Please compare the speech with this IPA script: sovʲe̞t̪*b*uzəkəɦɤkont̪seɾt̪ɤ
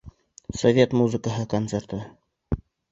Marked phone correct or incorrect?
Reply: incorrect